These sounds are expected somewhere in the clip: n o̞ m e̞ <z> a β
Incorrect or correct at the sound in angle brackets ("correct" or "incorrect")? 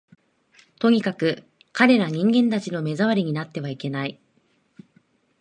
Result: correct